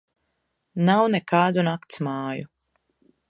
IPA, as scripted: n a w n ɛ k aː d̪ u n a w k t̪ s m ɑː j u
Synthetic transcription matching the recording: n a w n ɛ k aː d̪ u n a k t̪ s m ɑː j u

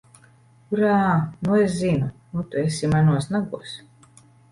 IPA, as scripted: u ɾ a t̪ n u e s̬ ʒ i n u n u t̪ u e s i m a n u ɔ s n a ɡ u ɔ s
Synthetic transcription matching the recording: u ɾ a n u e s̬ z i n u n u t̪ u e s i m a n u ɔ s n a ɡ u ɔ s

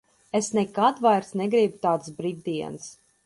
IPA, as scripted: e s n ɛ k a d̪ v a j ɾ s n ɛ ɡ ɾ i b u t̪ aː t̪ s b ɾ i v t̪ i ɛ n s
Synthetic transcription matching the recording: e s n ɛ k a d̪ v a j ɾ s n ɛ ɡ ɾ i b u t̪ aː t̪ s b ɾ i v d̪ i ɛ n s

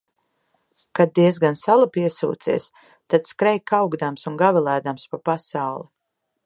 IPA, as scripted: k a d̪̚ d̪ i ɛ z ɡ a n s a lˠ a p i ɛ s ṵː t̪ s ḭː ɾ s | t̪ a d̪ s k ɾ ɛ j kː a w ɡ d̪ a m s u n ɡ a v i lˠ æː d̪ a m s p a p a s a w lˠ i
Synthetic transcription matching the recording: k a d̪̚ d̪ i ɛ z ɡ a n s a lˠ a p i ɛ s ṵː t̪ s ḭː s | t̪ a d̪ s k ɾ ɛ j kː a w ɡ d̪ a m s u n ɡ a v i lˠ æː d̪ a m s p a p a s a w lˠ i

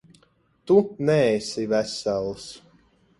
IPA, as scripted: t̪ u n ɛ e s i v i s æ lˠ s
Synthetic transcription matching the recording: t̪ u n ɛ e s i v æ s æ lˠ s

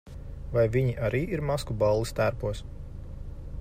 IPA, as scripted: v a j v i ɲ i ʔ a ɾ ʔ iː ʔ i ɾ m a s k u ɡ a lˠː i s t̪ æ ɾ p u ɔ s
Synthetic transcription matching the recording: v a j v i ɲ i ʔ a ɾ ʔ iː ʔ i ɾ m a s k u b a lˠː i s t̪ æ ɾ p u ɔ s

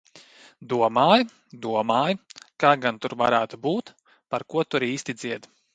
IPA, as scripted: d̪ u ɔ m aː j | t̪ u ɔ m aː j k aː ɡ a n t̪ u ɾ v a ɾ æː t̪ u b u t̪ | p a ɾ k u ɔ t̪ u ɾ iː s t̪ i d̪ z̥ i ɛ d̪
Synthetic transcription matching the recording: d̪ u ɔ m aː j | d̪ u ɔ m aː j k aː ɡ a n t̪ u ɾ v a ɾ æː t̪ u b uː t̪ | p a ɾ k u ɔ t̪ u ɾ iː s t̪ i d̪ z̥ i ɛ d̪

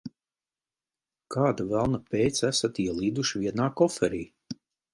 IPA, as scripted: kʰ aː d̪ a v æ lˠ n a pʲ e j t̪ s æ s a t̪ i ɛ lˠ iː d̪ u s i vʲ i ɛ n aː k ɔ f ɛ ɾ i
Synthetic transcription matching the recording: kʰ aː d̪ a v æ lˠ n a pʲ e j t̪ s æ s a t̪ i ɛ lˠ iː d̪ u ʃ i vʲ i ɛ n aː k ɔ f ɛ ɾ iː

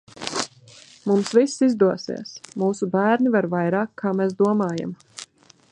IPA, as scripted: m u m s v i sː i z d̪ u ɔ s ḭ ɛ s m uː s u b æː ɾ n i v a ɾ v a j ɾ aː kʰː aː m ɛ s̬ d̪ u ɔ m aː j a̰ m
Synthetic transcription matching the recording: m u m s v i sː i z d̪ u ɔ s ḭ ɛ s m uː s u b æː ɾ n i v a ɾ v a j ɾ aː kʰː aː m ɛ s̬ d̪ u ɔ m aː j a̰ m

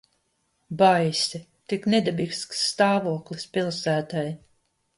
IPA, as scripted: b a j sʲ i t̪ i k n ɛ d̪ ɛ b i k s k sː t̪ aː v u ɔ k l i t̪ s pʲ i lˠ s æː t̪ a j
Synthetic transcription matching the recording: b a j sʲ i t̪ i k n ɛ d̪ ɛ b i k s k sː t̪ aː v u ɔ k l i s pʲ i lˠ s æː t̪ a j

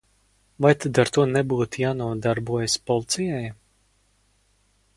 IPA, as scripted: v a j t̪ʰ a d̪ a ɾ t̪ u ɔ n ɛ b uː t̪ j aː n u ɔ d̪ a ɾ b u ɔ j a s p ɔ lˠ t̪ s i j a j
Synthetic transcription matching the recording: v a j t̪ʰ a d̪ a ɾ t̪ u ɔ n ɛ b uː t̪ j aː n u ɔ d̪ a ɾ b u ɔ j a s p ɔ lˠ t̪ s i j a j

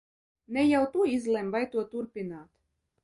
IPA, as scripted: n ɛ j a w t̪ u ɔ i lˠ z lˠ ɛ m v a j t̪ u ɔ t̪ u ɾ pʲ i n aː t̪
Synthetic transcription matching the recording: n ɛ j a w t̪ u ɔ i z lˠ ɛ m v a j t̪ u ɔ t̪ u ɾ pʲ i n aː t̪

